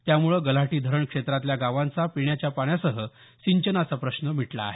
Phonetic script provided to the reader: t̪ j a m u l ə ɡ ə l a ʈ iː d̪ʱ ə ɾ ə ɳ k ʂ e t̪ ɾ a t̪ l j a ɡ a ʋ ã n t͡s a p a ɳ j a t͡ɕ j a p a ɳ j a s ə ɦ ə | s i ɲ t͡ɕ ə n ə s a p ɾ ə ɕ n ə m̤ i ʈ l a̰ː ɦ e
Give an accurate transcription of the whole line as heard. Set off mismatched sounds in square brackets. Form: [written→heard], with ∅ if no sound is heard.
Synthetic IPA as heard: t̪ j a m u [l→ɭ] ə ɡ ə l a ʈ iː d̪ʱ ə ɾ ə ɳ k ʂ e t̪ ɾ a t̪ l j a ɡ a ʋ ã n t͡s a p [a→i] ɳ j a t͡ɕ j a p a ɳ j a s ə ɦ ə | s i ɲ t͡ɕ ə n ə s a p ɾ ə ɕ n ə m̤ i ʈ l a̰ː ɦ e